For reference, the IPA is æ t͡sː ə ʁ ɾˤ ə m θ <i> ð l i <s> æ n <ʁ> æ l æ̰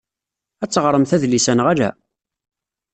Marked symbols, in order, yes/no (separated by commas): no, yes, yes